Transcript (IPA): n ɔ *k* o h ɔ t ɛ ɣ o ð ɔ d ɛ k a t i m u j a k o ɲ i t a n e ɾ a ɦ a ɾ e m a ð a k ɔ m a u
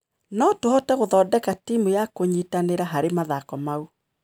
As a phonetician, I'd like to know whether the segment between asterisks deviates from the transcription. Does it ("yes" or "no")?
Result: yes